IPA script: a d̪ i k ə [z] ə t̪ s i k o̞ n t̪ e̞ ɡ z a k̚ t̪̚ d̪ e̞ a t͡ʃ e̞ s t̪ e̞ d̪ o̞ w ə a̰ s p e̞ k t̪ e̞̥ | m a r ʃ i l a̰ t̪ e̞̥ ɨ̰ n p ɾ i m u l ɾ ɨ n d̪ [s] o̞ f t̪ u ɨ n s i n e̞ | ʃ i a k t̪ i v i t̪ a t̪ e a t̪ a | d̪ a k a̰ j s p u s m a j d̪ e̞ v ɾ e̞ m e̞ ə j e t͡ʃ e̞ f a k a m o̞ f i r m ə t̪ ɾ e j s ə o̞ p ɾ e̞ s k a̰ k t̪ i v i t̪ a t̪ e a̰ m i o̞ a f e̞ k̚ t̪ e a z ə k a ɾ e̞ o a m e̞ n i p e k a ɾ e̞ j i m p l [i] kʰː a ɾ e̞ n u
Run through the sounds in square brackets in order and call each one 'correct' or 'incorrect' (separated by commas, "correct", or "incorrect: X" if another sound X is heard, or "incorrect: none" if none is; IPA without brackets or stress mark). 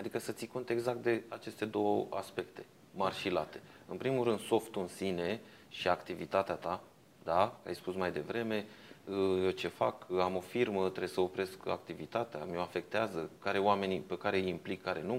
incorrect: s, correct, correct